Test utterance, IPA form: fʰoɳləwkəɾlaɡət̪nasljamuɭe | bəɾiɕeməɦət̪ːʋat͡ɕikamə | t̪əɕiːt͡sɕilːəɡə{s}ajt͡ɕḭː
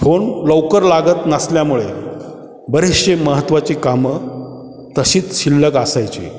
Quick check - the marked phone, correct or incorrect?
correct